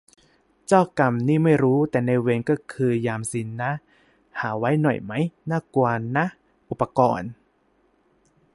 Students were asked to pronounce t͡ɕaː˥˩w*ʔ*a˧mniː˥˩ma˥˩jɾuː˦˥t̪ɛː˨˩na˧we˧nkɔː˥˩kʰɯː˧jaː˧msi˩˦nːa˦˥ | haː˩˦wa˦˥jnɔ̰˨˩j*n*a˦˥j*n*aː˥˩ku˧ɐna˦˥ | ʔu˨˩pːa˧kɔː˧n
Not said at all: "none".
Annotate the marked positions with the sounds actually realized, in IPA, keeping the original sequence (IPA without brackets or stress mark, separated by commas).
k, m, n